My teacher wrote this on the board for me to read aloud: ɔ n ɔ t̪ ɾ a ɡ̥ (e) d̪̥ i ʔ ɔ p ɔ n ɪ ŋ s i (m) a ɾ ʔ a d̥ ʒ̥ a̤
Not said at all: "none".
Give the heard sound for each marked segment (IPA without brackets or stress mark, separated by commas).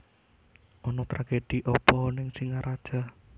e, ŋ